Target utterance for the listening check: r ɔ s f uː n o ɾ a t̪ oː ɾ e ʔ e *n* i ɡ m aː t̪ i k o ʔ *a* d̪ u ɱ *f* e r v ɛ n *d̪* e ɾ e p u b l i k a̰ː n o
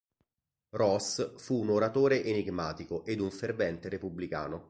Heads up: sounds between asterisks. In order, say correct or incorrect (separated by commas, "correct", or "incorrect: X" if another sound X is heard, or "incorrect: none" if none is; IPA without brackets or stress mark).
correct, incorrect: e, correct, incorrect: t̪